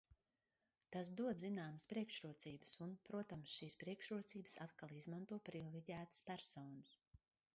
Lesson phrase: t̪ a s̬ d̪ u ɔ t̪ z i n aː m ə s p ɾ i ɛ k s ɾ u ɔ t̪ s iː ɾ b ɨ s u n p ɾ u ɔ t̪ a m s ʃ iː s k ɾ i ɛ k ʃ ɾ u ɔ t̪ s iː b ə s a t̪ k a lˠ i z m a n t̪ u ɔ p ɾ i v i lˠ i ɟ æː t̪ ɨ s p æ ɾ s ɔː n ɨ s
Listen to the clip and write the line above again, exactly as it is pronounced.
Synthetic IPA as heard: t̪ a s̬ d̪ u ɔ d̪ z i n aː m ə s p ɾ i ɛ k ʃ ɾ u ɔ t̪ s iː b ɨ s u n p ɾ u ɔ t̪ a m s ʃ iː s p ɾ i ɛ k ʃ ɾ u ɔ t̪ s iː b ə s a t̪ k a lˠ i z m a n t̪ u ɔ p ɾ i v i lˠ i ɟ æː t̪ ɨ s p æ ɾ s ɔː n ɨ s